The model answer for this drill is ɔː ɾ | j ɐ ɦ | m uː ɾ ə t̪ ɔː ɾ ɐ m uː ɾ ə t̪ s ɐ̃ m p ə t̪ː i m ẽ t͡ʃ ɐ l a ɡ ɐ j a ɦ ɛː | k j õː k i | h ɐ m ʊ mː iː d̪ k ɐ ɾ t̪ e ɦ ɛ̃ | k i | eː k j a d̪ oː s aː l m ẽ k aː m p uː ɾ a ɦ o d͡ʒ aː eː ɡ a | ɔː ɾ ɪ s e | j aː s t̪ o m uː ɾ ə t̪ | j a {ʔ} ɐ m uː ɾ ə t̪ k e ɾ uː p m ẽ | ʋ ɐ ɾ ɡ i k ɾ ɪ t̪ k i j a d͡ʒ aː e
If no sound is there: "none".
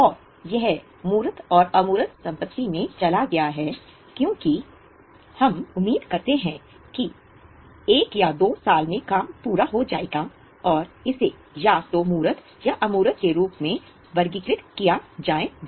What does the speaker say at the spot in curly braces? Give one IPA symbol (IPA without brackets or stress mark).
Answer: ʔ